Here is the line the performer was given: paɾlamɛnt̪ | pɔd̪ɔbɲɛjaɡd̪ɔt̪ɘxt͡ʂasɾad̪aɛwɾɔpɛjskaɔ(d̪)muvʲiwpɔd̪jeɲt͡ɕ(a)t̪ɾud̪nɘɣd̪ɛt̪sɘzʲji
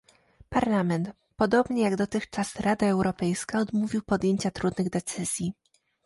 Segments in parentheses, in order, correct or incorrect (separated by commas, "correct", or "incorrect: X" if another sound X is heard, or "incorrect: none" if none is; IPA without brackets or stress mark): correct, correct